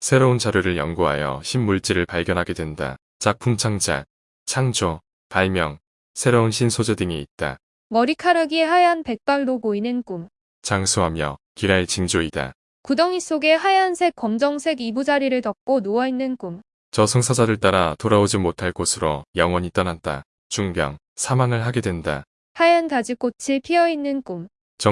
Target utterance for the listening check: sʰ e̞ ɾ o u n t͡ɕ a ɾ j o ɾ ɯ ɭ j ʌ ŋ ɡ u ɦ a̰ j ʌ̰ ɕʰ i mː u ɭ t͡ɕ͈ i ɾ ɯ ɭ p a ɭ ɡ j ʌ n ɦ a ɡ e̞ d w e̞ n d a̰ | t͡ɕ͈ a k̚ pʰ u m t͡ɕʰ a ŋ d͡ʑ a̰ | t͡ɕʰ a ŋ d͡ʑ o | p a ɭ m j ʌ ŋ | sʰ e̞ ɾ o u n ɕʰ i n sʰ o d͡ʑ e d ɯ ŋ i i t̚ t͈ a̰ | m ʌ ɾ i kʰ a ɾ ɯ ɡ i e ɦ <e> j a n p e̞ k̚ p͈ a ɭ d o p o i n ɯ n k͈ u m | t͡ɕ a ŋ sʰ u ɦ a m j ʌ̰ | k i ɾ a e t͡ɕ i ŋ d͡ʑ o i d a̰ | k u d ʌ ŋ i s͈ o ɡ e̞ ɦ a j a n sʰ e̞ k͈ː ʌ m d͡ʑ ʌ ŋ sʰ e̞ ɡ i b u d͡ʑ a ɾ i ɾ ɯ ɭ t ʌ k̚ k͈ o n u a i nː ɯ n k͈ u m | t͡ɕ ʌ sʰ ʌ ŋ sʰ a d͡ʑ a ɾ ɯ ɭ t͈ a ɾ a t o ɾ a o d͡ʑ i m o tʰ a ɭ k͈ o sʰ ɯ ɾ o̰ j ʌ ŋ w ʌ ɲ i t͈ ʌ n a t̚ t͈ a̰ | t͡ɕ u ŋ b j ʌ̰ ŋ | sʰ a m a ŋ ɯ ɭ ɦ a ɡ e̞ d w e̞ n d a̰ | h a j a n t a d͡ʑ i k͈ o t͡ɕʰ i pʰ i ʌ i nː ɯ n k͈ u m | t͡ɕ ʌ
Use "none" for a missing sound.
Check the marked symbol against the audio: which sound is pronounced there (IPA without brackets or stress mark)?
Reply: a